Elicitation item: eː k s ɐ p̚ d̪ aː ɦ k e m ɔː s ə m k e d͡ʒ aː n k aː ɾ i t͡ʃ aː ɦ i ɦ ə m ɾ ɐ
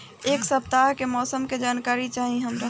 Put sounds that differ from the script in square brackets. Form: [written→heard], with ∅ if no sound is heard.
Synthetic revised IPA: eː k s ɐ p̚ [d̪→t̪] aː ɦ k e m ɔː s ə m k e d͡ʒ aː n k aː ɾ i t͡ʃ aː ɦ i ɦ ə m ɾ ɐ